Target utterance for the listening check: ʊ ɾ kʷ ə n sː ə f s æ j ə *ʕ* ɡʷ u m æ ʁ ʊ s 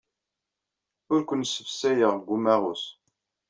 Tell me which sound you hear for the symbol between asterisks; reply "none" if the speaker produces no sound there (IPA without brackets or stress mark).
ʁ